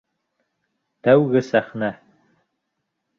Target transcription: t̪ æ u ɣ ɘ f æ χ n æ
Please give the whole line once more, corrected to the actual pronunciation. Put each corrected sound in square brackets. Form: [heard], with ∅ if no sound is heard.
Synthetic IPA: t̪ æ [w] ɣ ɘ [s] æ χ n æ